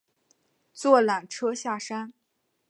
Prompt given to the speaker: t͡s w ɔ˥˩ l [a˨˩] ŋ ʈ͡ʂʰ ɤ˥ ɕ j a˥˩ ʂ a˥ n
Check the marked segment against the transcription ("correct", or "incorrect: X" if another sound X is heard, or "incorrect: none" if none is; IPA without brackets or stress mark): correct